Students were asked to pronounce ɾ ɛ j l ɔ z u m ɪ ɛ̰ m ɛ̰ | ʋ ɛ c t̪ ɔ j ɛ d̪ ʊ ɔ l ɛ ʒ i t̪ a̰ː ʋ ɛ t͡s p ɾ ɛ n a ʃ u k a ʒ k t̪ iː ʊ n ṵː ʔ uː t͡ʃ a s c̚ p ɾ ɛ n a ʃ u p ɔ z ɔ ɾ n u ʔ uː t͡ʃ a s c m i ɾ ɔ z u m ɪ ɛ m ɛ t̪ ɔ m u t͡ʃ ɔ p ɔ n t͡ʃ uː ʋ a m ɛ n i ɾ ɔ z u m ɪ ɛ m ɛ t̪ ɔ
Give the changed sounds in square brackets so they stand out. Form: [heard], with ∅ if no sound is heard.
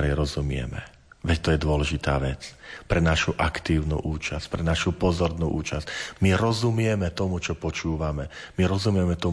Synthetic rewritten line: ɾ ɛ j [ɾ] ɔ z u m ɪ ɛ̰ m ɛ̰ | ʋ ɛ c t̪ ɔ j ɛ d̪ ʊ ɔ l ɛ ʒ i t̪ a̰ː ʋ ɛ t͡s p ɾ ɛ n a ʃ u [ʔ] a [∅] k t̪ iː ʊ n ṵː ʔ uː t͡ʃ a s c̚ p ɾ ɛ n a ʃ u p ɔ z ɔ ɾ n u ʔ uː t͡ʃ a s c m i ɾ ɔ z u m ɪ ɛ m ɛ t̪ ɔ m u t͡ʃ ɔ p ɔ [∅] t͡ʃ uː ʋ a m ɛ [m] i ɾ ɔ z u m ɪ ɛ m ɛ t̪ ɔ